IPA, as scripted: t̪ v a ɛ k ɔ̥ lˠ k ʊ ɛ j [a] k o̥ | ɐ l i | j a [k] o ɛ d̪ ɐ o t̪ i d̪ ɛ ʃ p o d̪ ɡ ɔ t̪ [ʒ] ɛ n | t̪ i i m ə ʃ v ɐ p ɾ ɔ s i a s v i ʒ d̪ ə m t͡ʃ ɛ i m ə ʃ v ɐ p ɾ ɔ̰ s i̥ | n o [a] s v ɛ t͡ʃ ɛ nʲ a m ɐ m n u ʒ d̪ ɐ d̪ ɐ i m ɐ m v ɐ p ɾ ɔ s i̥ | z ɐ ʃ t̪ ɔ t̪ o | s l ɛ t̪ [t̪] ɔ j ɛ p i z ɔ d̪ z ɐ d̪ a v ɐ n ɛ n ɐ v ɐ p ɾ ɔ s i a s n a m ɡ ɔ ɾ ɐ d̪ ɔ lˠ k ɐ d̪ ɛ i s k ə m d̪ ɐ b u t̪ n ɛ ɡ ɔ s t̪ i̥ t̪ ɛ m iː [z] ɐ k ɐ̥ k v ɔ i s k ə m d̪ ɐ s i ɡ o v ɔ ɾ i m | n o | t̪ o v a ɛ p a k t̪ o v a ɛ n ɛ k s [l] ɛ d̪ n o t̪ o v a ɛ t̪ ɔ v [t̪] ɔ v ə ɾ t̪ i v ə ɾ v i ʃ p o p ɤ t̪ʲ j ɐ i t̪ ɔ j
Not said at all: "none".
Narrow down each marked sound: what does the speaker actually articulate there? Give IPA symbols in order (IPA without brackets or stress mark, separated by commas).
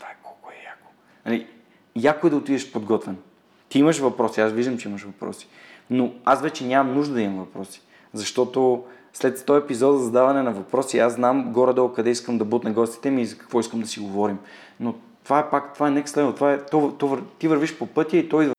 a, k, v, a, t̪, z, l, t̪